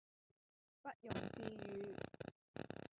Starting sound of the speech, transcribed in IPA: p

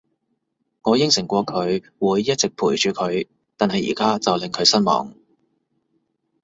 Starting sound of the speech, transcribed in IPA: ŋ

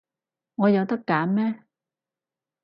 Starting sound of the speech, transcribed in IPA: ŋ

